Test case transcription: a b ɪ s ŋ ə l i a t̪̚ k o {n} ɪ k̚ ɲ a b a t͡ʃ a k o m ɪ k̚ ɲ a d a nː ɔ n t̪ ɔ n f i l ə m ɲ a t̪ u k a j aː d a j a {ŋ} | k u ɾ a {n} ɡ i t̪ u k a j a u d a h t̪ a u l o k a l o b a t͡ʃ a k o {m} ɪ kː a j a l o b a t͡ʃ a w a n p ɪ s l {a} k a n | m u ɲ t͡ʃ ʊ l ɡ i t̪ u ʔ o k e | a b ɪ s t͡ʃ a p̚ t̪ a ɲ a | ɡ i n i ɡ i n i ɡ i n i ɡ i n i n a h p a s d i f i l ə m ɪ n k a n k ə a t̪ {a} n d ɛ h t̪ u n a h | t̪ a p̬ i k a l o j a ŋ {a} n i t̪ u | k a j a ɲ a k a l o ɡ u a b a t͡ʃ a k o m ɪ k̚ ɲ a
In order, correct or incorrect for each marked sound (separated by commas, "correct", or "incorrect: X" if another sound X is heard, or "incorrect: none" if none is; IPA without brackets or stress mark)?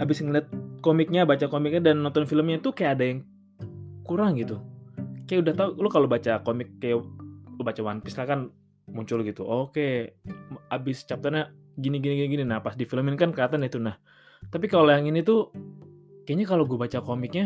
incorrect: m, correct, incorrect: ŋ, correct, correct, correct, incorrect: i